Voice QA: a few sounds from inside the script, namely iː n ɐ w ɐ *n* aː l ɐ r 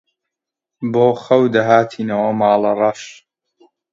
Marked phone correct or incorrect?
incorrect: m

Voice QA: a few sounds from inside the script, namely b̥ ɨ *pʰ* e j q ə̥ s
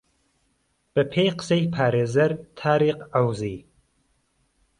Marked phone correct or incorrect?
correct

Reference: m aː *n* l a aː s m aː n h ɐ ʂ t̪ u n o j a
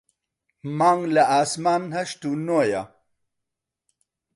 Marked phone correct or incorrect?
incorrect: ŋ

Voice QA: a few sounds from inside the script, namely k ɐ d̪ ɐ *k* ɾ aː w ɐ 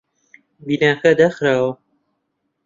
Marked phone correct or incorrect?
incorrect: x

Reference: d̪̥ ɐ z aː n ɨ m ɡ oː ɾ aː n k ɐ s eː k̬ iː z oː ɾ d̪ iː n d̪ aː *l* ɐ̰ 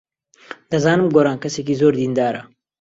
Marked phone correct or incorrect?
incorrect: ɾ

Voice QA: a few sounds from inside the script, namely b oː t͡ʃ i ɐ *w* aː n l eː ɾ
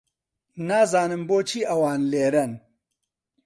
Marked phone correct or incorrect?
correct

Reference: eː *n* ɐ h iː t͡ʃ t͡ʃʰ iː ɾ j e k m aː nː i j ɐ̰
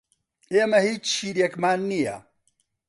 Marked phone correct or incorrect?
incorrect: m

